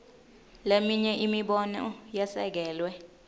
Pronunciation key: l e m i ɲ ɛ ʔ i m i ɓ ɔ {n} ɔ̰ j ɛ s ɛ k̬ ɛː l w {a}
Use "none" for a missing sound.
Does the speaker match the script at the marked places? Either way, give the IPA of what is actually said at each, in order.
n, ɛ

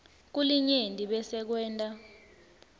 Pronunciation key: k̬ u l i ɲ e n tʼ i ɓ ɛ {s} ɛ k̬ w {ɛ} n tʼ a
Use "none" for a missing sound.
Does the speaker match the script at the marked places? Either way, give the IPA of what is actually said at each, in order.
s, ɛː

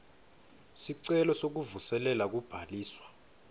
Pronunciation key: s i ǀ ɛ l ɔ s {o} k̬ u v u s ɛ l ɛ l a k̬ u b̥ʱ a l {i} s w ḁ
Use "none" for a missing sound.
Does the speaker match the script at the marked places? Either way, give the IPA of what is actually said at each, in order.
o, iː

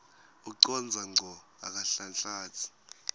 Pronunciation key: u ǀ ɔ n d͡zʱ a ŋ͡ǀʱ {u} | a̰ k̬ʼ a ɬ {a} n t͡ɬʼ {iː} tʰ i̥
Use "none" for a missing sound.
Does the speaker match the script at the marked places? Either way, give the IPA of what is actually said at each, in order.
ɔ, a, aː

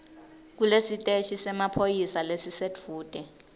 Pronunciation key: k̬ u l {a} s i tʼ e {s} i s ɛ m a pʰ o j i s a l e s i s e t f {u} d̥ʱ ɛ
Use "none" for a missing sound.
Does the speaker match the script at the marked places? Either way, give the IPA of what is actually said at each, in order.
e, ʃ, uː

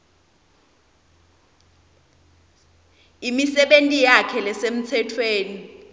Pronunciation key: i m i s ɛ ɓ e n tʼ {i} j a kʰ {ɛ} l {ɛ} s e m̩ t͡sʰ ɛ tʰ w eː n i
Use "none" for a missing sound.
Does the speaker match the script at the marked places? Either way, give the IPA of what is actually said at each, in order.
i, ɛ, ɛ

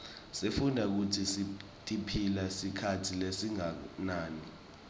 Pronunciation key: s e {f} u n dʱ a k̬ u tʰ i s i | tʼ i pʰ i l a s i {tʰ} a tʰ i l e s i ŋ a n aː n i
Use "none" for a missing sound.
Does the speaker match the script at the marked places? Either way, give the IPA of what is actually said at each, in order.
f, kʰ

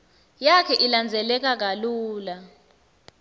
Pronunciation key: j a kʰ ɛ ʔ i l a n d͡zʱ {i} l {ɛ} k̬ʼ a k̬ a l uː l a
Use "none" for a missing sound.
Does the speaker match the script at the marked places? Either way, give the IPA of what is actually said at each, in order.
ɛ, ɛ

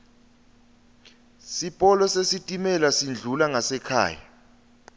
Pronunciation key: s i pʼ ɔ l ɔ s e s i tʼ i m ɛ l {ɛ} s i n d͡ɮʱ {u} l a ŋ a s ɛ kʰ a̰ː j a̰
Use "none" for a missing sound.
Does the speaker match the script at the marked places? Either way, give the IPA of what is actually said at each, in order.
a, u

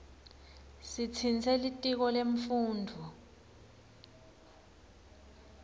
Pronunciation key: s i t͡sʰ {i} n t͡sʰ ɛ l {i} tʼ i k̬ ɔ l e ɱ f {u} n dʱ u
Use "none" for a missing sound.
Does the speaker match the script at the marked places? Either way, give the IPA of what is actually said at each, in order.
i, i, uː

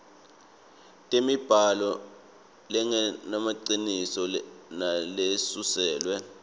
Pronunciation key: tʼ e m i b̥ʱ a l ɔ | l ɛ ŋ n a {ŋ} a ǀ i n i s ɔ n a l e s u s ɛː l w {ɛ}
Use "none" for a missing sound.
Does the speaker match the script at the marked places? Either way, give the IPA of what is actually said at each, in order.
m, ɛ

